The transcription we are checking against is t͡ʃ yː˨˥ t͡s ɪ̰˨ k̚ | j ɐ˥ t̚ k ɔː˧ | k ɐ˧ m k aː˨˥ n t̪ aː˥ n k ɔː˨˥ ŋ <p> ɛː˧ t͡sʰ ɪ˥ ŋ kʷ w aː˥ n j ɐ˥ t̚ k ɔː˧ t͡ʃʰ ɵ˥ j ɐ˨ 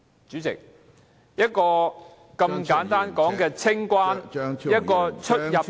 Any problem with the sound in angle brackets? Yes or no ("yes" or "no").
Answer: yes